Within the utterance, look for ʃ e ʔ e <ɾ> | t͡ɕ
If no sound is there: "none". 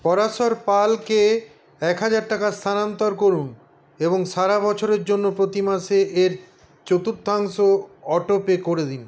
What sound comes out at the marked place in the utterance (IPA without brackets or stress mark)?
ɾ